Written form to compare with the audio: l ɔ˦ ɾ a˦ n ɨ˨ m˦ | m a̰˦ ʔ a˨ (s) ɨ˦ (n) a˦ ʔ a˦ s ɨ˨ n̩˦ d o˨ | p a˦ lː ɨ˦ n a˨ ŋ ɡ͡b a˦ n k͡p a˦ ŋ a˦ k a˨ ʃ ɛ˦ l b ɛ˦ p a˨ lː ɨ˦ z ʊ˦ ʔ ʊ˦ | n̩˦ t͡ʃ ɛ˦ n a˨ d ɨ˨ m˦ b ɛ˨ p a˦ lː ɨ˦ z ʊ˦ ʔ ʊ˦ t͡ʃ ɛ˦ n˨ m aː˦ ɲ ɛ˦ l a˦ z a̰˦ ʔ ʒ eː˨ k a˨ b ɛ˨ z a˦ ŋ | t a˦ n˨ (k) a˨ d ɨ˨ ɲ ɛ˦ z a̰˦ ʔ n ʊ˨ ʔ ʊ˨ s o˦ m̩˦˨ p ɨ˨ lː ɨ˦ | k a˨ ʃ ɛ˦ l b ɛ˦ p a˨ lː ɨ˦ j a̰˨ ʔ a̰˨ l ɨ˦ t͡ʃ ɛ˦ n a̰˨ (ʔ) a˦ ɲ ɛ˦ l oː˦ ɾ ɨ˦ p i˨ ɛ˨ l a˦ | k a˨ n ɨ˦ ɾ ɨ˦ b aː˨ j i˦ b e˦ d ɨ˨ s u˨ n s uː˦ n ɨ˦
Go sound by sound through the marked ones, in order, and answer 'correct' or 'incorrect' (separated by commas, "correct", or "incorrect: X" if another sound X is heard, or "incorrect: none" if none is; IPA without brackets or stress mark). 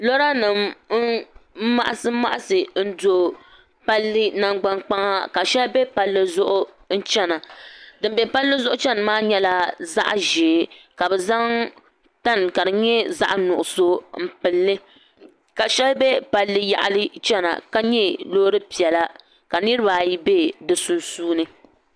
correct, incorrect: m, correct, incorrect: k